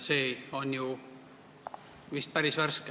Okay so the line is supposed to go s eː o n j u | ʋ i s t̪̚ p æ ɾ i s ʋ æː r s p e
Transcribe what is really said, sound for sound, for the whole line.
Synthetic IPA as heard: s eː o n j u | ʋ i s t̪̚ p æ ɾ i s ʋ æ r s k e